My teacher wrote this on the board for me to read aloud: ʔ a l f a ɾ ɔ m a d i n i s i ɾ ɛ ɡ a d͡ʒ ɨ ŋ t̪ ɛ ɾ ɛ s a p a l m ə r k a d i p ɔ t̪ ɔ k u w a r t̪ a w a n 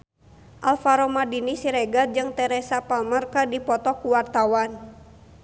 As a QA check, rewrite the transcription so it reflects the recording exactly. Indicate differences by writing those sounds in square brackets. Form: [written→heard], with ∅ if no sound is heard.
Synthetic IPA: ʔ a l f a ɾ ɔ m a d i n i s i ɾ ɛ ɡ a d͡ʒ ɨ ŋ t̪ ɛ ɾ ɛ s a p a l m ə r k a d i p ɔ t̪ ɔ k u w a r t̪ a w a n